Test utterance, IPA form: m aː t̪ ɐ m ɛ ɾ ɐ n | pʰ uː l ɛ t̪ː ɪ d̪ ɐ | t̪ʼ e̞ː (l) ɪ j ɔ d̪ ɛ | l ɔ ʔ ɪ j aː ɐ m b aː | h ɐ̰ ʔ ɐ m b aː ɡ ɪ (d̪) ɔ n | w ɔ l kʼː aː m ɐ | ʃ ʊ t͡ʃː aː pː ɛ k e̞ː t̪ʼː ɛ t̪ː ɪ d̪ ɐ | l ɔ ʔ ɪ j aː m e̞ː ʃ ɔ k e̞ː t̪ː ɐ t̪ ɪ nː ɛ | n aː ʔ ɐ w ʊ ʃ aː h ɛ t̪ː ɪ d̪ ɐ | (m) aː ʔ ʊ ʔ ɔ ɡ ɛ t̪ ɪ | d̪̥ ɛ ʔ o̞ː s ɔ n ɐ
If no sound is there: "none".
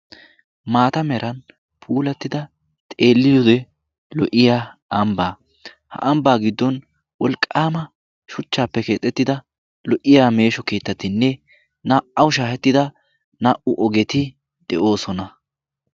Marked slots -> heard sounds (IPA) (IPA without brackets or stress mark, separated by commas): lː, d̪ː, n